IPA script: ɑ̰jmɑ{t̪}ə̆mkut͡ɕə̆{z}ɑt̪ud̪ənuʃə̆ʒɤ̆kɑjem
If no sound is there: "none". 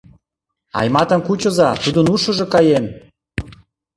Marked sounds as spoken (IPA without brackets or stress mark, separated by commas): t̪, z